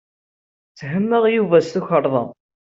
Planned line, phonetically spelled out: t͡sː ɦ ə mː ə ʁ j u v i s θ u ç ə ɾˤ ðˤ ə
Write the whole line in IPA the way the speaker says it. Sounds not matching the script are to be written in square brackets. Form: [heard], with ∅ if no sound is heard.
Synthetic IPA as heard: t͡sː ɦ ə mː ə ʁ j u v [æ] s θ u ç ə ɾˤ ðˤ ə